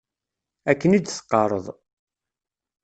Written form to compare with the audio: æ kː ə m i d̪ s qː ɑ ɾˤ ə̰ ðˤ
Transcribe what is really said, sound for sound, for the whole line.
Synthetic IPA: æ kː ə n i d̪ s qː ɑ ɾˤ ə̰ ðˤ